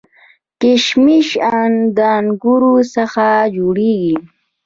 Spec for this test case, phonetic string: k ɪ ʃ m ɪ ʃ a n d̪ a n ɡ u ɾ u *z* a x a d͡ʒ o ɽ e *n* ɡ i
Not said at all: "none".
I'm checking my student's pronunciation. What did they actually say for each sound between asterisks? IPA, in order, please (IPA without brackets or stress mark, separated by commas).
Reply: s, none